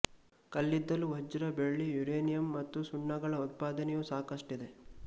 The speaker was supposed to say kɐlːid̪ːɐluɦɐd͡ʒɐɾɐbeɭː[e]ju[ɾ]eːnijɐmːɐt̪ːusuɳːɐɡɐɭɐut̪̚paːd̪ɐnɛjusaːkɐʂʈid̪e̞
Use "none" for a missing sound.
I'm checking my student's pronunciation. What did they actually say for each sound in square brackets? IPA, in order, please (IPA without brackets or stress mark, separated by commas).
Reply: i, ɾ